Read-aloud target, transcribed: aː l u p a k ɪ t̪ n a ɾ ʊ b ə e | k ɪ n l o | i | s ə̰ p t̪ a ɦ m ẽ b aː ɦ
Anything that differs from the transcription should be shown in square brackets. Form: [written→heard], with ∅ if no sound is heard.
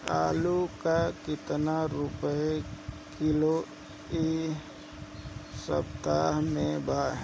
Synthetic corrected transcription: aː l u [p→k] a k ɪ t̪ n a ɾ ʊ [b→p] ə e | k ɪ [n→∅] l o | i | s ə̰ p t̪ a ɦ m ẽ b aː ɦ